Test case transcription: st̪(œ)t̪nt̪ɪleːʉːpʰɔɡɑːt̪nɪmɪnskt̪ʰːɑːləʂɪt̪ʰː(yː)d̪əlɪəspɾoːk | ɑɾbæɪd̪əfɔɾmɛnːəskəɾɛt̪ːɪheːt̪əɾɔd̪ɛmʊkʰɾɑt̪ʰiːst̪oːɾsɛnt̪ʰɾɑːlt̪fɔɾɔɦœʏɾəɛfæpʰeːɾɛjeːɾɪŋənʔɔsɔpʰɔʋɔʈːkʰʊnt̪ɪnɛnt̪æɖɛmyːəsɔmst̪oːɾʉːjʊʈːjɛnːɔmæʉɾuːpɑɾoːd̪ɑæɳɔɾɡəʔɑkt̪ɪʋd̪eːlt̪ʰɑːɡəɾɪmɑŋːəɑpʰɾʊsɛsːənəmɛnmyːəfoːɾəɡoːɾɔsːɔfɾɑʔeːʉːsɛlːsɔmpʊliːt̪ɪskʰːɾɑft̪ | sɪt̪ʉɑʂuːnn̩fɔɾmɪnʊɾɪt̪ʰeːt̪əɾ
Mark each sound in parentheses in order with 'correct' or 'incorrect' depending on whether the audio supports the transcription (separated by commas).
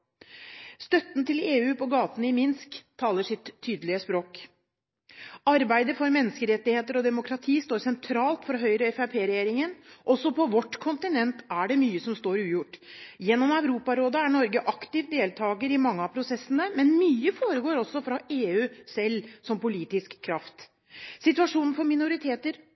correct, correct